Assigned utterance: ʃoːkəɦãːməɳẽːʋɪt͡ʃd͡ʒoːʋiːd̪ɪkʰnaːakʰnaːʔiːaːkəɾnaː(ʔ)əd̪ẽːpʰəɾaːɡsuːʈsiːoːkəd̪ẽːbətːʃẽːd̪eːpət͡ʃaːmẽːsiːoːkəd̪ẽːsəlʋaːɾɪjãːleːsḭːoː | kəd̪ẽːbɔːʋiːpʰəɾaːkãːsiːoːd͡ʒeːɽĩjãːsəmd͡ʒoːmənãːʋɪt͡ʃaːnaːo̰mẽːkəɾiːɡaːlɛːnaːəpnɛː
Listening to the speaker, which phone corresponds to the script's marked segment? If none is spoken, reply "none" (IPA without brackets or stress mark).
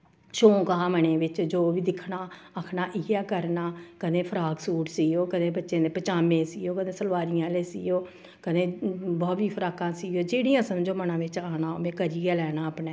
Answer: k